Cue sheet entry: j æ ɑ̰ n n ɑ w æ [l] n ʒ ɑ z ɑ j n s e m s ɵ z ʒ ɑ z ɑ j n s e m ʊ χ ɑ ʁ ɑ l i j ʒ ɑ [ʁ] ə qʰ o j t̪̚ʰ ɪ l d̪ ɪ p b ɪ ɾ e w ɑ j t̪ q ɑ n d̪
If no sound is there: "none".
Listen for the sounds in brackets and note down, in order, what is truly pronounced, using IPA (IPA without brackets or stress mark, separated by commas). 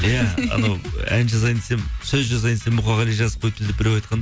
none, z